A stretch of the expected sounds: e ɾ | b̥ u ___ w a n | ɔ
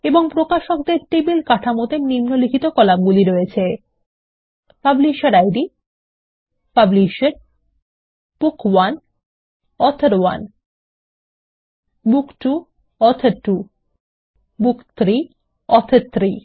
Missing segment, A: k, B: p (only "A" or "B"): A